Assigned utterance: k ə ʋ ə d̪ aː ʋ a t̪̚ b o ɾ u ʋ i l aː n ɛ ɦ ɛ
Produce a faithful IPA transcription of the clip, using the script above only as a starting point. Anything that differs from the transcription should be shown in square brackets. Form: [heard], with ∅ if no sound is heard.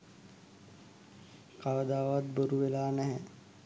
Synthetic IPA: k [a] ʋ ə d̪ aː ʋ a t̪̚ b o ɾ u ʋ [e] l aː n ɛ ɦ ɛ

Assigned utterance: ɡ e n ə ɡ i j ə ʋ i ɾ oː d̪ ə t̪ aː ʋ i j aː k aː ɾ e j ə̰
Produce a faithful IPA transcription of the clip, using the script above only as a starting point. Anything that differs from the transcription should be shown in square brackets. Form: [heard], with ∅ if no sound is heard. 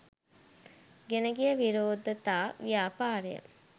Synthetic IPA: ɡ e n ə ɡ i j ə ʋ i ɾ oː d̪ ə t̪ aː ʋ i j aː [p] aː ɾ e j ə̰

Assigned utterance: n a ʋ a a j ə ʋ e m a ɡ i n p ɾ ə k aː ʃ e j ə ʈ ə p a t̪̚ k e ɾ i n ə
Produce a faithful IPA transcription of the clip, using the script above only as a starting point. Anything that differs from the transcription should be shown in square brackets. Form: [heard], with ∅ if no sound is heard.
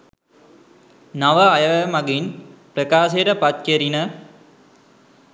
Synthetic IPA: n a ʋ [ə] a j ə ʋ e m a ɡ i n p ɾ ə k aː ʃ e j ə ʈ ə p a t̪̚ k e ɾ i n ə

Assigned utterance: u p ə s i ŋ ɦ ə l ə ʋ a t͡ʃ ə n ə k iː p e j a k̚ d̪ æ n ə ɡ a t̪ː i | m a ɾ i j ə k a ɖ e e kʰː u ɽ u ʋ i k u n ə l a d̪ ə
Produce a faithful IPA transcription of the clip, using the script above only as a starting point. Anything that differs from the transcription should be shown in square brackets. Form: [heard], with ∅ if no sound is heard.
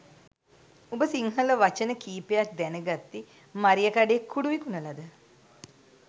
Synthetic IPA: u [b] ə s i ŋ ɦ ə l ə ʋ a t͡ʃ ə n ə k iː p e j a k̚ d̪ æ n ə ɡ a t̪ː i | m a ɾ i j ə k a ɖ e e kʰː u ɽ u ʋ i k u n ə l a d̪ ə

